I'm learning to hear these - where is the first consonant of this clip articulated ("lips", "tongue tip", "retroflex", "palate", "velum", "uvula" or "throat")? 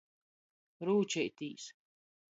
tongue tip